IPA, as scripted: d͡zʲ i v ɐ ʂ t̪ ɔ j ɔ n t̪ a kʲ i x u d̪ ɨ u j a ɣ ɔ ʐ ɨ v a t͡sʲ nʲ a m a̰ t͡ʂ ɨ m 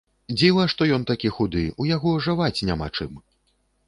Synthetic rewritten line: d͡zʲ i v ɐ ʂ t̪ ɔ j ɔ n t̪ a kʲ i x u d̪ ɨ u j a ɣ ɔ ʐ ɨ v a t͡sʲ nʲ a m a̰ t͡ʂ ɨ m